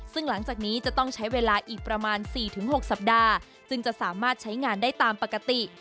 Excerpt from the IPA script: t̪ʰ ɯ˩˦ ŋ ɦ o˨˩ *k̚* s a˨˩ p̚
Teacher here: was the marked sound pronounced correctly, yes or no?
yes